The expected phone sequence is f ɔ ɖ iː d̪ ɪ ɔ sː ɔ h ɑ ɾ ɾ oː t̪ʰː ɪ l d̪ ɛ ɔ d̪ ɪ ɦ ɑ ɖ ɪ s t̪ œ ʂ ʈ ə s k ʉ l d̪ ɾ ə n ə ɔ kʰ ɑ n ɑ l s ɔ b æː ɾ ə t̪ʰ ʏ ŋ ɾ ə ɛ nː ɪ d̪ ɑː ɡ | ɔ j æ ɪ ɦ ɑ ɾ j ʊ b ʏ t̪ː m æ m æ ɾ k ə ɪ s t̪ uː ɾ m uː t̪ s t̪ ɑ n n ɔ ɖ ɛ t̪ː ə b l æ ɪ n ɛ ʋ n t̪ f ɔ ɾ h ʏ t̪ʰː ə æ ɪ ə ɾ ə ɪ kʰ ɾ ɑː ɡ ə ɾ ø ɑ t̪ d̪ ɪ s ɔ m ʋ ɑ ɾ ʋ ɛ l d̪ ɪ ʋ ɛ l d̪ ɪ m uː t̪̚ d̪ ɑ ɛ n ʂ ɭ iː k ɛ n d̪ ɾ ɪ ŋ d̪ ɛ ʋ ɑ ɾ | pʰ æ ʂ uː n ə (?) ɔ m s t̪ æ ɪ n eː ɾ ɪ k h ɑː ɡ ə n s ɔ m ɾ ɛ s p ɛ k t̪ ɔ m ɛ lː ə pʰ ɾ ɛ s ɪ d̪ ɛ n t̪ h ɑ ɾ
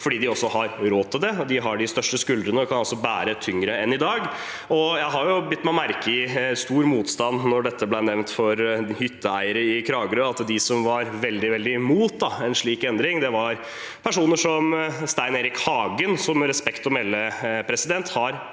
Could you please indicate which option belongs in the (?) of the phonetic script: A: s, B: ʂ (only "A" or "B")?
B